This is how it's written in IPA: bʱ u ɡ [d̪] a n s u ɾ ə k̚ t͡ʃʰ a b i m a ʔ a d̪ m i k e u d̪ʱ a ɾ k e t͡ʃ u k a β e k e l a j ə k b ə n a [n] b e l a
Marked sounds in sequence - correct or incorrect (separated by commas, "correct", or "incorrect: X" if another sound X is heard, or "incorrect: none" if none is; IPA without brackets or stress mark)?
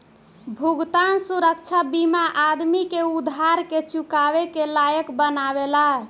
incorrect: t̪, incorrect: none